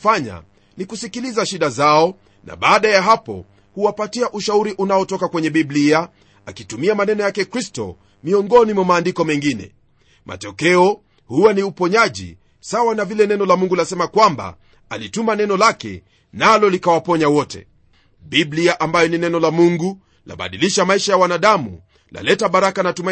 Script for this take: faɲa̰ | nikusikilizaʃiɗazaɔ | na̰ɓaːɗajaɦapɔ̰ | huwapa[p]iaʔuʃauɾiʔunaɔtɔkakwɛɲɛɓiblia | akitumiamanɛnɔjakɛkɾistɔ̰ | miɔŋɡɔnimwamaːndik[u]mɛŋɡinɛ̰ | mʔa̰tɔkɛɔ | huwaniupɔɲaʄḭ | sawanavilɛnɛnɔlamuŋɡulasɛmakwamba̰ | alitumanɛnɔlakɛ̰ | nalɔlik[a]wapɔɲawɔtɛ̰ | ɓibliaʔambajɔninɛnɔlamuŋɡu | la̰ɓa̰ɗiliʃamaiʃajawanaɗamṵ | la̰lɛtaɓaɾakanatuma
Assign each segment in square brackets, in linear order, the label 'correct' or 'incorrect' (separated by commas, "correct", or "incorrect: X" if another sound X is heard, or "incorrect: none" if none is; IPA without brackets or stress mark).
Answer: incorrect: t, incorrect: ɔ, correct